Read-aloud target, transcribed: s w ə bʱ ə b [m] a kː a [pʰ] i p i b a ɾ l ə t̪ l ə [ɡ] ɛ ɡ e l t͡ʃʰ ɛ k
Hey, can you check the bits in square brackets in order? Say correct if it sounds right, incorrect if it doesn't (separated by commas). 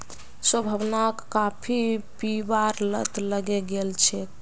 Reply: incorrect, correct, correct